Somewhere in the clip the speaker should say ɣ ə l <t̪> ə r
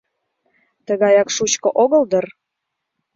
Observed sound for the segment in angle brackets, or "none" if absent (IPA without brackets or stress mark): d̪